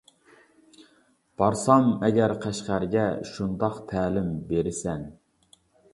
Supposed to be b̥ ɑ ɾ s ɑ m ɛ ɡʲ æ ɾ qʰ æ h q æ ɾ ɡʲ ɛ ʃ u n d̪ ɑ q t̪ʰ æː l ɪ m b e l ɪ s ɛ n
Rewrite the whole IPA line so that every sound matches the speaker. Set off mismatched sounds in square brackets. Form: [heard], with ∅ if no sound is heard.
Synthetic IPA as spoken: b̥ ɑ ɾ s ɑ m ɛ ɡʲ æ ɾ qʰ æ [ʃ] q æ ɾ ɡʲ ɛ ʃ u n d̪ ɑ q t̪ʰ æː l ɪ m b e [ɾ] ɪ s ɛ n